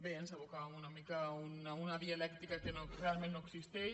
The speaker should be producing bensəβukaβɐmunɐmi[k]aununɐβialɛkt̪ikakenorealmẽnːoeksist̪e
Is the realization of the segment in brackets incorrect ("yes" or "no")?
no